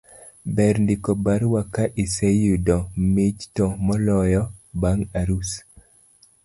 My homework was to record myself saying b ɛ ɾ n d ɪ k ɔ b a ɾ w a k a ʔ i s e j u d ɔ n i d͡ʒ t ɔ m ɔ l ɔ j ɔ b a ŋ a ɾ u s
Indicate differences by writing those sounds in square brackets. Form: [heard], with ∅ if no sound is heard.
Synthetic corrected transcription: b ɛ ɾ n d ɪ k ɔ b a ɾ w a k a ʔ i s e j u d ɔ [m] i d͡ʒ t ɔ m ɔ l ɔ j ɔ b a ŋ a ɾ u s